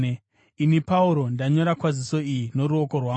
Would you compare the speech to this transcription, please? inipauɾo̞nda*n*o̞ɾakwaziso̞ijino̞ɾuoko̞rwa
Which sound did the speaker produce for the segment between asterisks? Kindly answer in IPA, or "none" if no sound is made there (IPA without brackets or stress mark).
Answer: ɲ